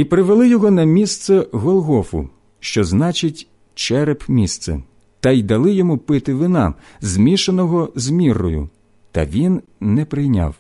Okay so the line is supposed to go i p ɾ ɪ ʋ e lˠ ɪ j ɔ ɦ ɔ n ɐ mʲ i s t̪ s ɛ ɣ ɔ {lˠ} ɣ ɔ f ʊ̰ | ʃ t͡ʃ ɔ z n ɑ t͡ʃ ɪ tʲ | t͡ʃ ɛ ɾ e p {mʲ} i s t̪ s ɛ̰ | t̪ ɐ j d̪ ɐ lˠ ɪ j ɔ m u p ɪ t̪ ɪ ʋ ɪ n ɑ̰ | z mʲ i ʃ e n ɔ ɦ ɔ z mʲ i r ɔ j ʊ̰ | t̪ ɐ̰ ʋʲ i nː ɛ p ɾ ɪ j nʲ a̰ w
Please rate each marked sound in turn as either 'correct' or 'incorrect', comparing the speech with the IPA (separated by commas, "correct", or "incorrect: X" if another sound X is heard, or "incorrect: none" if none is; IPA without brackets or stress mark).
correct, correct